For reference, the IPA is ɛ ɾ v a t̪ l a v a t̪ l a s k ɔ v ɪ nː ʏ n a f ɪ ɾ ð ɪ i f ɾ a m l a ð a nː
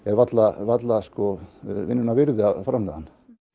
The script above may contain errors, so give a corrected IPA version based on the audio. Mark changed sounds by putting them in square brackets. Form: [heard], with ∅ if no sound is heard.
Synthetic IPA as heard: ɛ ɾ v a t̪ l a v a t̪ l a s k ɔ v ɪ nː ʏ n a [v] ɪ ɾ ð ɪ [a] f ɾ a m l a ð a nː